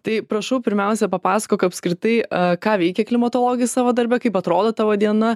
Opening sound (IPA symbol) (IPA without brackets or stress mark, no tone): t̪